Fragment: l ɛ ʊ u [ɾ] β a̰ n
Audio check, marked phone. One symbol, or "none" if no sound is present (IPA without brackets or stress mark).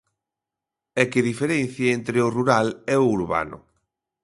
ɾ